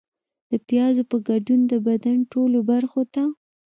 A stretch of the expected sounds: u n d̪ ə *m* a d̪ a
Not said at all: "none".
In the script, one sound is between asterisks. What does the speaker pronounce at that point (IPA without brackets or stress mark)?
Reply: b